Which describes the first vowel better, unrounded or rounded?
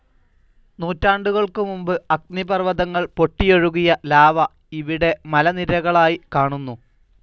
rounded